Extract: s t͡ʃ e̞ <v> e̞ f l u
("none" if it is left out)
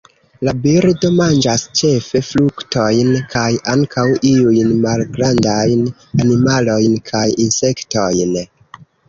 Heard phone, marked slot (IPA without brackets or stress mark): f